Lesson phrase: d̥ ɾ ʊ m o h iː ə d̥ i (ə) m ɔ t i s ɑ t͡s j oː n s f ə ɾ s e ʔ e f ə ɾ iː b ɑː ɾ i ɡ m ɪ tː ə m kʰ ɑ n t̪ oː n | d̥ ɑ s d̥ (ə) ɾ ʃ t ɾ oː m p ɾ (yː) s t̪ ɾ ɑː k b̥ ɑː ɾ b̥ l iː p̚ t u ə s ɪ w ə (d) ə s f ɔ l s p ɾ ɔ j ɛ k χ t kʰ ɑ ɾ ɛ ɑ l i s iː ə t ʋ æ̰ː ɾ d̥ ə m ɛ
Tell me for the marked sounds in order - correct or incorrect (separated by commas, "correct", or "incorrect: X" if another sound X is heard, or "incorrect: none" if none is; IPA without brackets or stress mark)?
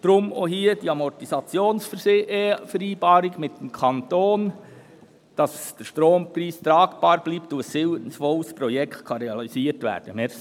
incorrect: ɑ, correct, incorrect: iː, incorrect: n